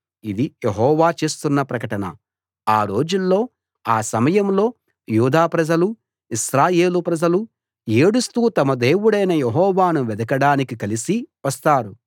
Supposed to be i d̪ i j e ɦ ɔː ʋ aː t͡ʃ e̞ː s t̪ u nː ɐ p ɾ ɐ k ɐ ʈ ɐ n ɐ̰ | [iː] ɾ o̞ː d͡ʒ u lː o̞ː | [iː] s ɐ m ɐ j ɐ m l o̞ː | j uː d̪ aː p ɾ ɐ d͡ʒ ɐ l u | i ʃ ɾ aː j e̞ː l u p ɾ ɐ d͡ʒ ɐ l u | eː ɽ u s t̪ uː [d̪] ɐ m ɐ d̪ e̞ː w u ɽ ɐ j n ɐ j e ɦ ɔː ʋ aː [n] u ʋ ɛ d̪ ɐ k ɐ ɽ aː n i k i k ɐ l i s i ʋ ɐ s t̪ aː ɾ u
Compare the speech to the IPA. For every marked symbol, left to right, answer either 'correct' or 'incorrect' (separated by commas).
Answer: incorrect, incorrect, incorrect, correct